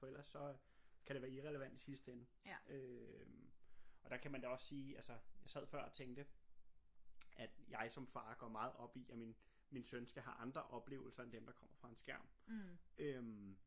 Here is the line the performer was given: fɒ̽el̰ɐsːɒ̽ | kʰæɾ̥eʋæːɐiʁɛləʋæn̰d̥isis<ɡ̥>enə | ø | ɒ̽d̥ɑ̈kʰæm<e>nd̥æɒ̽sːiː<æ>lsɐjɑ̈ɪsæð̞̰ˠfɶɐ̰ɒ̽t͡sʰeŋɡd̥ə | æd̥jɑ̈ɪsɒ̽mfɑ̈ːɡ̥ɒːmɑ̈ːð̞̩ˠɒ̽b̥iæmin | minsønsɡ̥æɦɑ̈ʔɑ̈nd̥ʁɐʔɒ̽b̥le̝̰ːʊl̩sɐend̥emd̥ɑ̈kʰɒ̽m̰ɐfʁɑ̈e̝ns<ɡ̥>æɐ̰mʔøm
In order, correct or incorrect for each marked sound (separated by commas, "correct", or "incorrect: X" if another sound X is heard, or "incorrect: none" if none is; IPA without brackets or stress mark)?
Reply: incorrect: d̥, incorrect: æ, correct, correct